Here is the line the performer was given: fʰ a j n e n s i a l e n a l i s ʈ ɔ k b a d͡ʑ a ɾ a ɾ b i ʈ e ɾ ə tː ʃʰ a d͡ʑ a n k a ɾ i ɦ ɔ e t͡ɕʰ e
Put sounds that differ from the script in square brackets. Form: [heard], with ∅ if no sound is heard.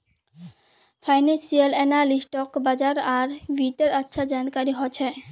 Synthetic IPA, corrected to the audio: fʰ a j n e n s i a l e n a l i s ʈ ɔ k b a d͡ʑ a ɾ a ɾ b i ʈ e ɾ [a] tː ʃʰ a d͡ʑ a n k a ɾ i ɦ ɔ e t͡ɕʰ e